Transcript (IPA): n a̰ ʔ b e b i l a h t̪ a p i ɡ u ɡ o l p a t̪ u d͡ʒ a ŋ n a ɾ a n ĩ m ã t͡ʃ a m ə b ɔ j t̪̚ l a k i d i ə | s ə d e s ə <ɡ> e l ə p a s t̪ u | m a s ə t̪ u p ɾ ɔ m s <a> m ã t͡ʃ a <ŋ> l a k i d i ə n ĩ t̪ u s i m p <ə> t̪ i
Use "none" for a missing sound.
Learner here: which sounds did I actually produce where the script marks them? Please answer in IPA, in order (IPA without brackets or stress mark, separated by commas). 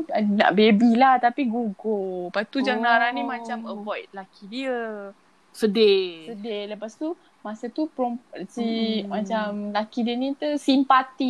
d, i, m, a